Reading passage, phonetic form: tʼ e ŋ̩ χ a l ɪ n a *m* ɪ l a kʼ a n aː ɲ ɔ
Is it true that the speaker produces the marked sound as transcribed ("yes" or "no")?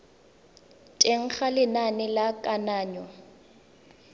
no